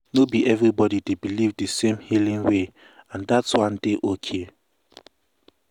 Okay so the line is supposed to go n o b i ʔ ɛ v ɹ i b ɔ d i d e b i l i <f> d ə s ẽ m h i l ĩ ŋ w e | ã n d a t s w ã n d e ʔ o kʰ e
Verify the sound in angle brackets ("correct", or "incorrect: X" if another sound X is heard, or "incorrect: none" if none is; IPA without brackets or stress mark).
incorrect: v